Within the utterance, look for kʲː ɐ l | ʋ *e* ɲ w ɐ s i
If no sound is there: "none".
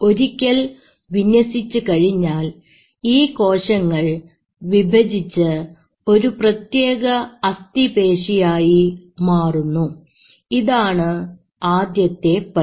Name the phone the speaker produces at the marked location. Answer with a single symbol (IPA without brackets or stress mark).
i